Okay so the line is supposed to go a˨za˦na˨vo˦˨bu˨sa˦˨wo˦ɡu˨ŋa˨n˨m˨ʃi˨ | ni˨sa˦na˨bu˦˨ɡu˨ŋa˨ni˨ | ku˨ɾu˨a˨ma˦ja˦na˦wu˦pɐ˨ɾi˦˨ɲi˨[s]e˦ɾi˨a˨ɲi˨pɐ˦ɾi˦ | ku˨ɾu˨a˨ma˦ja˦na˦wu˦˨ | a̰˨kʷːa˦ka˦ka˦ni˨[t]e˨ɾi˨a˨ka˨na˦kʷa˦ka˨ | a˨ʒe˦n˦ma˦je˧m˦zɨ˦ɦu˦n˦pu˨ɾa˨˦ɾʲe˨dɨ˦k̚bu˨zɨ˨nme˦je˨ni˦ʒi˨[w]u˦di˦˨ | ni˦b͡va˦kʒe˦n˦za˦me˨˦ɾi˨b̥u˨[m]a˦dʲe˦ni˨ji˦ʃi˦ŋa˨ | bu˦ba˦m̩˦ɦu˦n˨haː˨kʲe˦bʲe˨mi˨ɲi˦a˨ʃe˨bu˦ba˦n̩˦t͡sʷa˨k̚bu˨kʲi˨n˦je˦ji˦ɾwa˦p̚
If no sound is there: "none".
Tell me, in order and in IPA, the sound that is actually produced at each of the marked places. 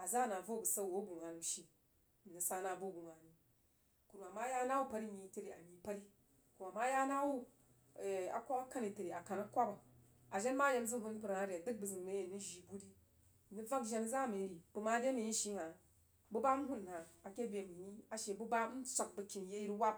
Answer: t, t, b, m

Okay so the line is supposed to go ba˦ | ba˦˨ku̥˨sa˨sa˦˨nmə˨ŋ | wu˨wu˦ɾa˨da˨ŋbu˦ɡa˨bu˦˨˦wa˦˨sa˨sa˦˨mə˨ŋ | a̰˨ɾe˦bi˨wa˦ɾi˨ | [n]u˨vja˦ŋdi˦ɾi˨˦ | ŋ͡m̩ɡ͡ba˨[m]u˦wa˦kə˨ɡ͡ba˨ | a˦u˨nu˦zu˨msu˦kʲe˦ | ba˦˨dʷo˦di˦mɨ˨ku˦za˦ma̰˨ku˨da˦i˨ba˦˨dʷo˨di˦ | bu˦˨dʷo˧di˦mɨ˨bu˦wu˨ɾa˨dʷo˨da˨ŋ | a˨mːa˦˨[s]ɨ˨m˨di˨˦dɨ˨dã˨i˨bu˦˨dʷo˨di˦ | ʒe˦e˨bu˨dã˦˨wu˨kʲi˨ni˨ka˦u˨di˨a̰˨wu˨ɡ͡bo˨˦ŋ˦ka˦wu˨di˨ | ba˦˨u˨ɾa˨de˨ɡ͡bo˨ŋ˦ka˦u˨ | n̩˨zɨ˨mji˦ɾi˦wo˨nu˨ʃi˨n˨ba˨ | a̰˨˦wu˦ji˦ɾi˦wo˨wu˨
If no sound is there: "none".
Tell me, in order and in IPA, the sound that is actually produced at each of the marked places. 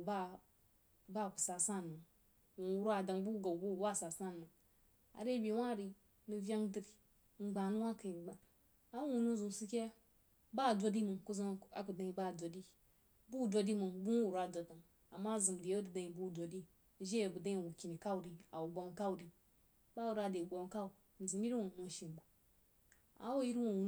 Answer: n, n, z

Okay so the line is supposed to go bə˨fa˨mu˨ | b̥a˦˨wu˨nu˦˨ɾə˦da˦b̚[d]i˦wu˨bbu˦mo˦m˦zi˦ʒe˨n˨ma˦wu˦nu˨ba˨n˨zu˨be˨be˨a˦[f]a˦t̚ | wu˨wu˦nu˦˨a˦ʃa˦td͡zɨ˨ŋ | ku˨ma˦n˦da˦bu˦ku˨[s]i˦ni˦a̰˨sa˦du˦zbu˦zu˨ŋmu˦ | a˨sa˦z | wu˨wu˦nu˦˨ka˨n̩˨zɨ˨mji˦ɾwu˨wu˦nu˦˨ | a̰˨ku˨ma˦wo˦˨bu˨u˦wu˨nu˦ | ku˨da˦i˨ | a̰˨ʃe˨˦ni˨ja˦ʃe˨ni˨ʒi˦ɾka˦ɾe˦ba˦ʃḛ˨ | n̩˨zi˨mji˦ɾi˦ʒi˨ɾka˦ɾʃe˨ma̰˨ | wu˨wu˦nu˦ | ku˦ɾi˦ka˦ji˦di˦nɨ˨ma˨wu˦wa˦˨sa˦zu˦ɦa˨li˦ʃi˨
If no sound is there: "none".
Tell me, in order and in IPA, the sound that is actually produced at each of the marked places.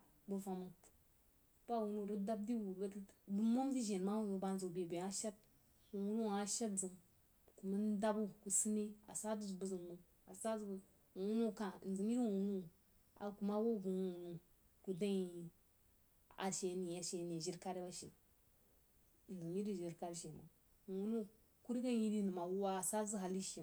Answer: d, ʃ, s

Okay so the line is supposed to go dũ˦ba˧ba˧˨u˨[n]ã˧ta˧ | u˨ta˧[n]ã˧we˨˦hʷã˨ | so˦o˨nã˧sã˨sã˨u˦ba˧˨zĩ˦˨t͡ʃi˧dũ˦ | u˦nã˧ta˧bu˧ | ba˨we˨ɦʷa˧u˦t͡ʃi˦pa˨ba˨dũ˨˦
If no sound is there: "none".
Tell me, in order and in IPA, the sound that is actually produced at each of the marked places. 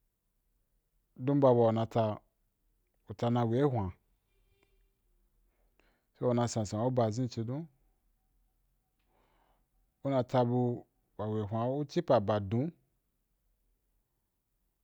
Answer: n, n

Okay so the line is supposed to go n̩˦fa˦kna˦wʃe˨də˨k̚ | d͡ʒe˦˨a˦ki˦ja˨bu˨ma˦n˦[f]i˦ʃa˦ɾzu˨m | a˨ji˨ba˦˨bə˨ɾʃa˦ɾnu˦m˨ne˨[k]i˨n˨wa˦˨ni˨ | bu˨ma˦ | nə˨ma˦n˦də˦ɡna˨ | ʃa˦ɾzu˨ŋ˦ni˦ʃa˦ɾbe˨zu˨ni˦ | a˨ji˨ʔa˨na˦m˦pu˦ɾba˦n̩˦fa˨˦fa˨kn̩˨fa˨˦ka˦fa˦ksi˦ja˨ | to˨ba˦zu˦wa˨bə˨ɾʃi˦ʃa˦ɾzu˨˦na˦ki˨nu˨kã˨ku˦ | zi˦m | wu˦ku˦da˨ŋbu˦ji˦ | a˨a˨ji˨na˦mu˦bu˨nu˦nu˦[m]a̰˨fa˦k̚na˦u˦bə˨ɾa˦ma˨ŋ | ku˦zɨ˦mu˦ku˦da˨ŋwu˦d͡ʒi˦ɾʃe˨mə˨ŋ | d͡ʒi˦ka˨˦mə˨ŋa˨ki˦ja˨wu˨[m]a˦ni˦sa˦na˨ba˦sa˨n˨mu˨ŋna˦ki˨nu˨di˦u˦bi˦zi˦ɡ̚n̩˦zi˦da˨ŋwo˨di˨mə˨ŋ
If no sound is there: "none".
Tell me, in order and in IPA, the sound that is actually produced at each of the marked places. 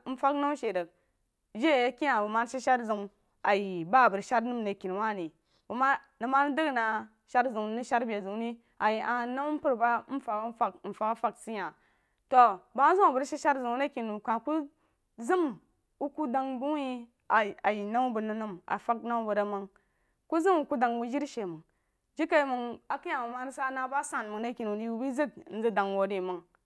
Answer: ʃ, k, m, m

